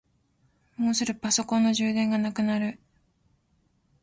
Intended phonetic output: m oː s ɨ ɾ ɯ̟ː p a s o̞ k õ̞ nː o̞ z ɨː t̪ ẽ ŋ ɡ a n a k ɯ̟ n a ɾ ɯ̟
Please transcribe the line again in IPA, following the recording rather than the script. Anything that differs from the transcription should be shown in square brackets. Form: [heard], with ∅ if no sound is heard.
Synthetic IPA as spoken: m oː s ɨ ɾ [ɯ̟] p a s o̞ k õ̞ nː o̞ [ʑ] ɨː [d̪] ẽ ŋ ɡ a n a k ɯ̟ n a ɾ ɯ̟